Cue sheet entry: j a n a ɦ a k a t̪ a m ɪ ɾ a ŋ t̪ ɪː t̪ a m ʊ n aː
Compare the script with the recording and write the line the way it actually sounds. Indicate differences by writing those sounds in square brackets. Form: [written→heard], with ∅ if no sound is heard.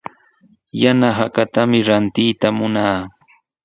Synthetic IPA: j a n a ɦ a k a t̪ a m ɪ ɾ a [ŋ→n] t̪ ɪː t̪ a m ʊ n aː